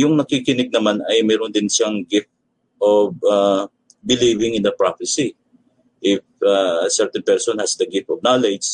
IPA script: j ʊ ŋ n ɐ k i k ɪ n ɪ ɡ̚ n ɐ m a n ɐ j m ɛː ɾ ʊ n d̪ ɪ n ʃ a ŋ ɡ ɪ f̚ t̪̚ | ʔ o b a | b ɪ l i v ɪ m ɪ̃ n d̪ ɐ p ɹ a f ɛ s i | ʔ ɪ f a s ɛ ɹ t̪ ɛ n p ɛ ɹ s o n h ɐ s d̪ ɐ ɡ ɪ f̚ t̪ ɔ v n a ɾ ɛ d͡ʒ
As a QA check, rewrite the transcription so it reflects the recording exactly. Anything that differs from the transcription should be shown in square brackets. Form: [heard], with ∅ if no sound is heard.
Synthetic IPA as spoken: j ʊ ŋ n ɐ k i k ɪ n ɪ ɡ̚ n ɐ m a n ɐ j m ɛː ɾ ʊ n d̪ ɪ n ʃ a ŋ ɡ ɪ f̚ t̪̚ | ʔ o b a | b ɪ l i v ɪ [ŋ] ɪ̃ n d̪ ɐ p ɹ a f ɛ s i | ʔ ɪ f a s ɛ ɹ t̪ ɛ n p ɛ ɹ s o n h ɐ s d̪ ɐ ɡ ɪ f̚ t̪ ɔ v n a [l] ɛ d͡ʒ